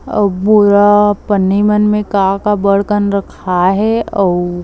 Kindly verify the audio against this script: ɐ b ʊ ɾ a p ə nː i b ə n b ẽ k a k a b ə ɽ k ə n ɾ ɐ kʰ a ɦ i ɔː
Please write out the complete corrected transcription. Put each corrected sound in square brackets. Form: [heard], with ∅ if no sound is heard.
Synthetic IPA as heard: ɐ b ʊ ɾ a p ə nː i [m] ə n [m] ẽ k a k a b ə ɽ k ə n ɾ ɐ kʰ a ɦ [ɛ] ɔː